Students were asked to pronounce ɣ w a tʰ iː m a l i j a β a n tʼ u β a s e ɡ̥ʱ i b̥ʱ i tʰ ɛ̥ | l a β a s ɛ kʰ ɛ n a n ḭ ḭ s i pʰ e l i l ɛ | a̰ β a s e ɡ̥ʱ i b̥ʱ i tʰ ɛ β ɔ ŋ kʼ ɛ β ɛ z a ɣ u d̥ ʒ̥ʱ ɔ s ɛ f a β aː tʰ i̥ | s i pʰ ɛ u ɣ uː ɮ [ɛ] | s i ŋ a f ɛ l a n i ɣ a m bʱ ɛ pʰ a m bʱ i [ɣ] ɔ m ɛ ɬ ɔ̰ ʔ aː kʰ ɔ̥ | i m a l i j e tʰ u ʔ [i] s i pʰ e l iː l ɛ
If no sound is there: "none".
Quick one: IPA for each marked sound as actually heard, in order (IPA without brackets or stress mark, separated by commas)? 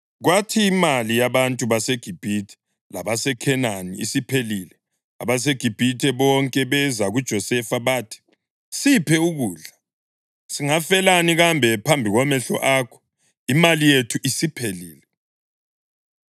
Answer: a, ɣ, i